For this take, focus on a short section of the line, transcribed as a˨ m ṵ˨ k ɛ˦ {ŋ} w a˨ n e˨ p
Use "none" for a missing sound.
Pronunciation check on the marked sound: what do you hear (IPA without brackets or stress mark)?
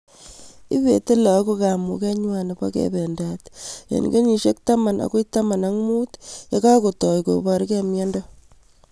ɲ